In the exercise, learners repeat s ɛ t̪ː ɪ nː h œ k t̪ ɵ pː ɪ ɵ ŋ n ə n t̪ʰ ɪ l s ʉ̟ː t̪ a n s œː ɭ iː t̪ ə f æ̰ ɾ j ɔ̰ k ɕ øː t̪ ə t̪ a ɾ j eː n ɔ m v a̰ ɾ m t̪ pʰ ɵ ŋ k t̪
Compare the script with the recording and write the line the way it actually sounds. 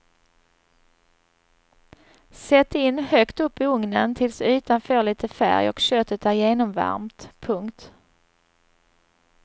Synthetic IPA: s ɛ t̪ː ɪ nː h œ k t̪ ɵ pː ɪ ɵ ŋ n ə n t̪ʰ ɪ l s ʉ̟ː t̪ a n f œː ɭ iː t̪ ə f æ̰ ɾ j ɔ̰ k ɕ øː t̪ ə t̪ æ ɾ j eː n ɔ m v a̰ ɾ m t̪ pʰ ɵ ŋ k t̪